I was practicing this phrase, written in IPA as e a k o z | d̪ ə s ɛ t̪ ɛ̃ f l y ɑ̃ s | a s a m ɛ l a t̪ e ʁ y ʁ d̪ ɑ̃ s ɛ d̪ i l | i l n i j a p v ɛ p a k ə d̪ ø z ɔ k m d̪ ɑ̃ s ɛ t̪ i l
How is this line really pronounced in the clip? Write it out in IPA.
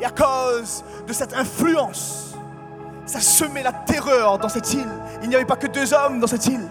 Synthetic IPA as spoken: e a k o z | d̪ ə s ɛ t̪ ɛ̃ f l y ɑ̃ s | a s ə m ɛ l a t̪ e ʁ œ ʁ d̪ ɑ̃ s ɛ t̪ i l | i l n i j a v ɛ p a k ə d̪ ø z ɔ m d̪ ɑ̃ s ɛ t̪ i l